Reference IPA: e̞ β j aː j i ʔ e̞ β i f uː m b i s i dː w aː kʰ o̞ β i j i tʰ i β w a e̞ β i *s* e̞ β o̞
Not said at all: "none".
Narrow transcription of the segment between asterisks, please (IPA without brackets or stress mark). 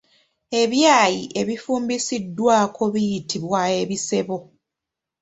s